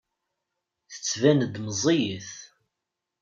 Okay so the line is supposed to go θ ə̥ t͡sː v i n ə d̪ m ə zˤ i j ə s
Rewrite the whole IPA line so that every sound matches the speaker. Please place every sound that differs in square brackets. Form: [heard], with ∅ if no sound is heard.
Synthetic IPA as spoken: θ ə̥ t͡sː v [æ] n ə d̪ m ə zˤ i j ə [θ]